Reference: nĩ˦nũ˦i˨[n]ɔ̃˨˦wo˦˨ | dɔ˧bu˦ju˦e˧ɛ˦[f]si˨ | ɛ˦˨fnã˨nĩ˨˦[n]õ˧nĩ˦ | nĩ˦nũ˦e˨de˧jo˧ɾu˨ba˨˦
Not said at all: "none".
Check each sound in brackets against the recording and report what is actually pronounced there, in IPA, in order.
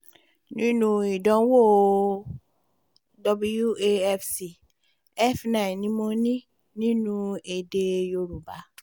d, f, m

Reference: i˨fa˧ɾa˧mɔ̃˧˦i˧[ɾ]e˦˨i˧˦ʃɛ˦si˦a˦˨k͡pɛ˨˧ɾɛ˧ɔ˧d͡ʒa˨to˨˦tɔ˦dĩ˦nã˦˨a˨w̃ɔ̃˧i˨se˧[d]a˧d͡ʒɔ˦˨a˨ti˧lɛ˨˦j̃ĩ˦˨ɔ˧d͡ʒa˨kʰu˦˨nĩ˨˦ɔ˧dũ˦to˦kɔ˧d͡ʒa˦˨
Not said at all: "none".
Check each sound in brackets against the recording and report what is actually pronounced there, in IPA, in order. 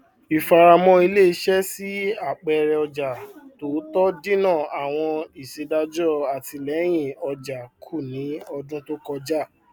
l, d

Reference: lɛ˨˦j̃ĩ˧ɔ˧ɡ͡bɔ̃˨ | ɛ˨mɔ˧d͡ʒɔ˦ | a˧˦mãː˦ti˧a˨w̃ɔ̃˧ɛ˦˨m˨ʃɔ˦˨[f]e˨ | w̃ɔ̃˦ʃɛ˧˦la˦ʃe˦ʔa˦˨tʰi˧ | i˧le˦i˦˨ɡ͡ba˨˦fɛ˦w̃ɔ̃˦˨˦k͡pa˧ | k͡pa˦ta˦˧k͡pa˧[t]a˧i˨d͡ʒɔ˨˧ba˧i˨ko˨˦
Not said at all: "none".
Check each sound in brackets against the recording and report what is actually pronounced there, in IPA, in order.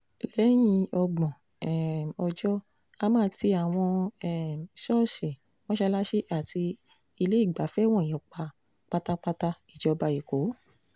ʃ, t

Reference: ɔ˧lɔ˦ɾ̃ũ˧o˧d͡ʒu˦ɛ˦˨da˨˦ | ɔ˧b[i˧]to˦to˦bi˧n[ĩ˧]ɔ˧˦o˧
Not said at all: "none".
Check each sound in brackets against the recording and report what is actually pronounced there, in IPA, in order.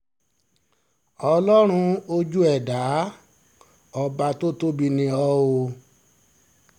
a˧, ĩ˧

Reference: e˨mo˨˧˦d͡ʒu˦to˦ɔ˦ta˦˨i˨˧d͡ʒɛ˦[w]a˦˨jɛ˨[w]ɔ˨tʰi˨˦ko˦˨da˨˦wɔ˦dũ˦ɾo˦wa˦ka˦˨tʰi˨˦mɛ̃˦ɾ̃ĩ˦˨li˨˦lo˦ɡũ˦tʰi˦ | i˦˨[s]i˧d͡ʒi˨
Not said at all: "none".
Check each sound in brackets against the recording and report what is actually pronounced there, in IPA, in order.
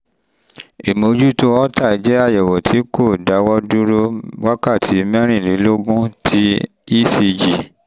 none, w, s

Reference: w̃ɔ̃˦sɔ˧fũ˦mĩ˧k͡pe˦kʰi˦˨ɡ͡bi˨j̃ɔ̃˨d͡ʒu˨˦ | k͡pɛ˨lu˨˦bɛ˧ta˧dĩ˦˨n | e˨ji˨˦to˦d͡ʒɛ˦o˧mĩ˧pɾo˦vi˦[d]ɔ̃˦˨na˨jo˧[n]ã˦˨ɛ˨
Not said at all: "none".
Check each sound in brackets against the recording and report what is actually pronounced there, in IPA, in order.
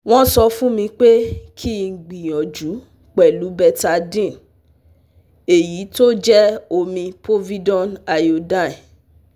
d, d

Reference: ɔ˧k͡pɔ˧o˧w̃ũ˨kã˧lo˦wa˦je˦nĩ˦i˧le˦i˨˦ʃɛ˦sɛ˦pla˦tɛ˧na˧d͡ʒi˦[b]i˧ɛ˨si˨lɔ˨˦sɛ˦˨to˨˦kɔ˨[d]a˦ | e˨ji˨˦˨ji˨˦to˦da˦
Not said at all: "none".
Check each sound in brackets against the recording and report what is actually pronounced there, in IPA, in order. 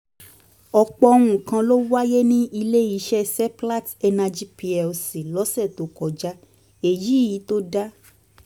p, d͡ʒ

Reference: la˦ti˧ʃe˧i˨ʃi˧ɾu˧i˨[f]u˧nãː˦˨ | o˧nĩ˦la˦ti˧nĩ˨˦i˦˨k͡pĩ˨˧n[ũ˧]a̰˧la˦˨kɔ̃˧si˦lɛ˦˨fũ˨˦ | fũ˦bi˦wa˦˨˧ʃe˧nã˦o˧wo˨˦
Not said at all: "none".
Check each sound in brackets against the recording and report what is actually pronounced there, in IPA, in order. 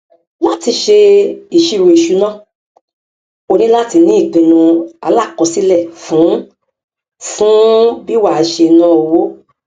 ʃ, ũ˧

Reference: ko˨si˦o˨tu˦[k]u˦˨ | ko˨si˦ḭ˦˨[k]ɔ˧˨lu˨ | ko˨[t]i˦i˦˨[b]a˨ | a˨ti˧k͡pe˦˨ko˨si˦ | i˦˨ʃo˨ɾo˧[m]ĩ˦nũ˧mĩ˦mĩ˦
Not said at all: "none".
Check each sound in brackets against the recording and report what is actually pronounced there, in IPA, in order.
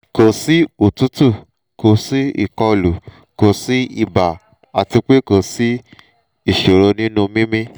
t, k, s, b, n

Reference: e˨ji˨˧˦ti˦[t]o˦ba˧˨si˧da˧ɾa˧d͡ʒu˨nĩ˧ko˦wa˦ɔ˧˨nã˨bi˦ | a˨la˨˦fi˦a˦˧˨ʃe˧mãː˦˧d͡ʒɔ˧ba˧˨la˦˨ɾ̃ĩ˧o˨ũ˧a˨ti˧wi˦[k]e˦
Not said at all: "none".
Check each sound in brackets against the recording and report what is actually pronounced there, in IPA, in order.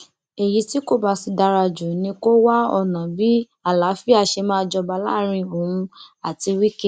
k, k

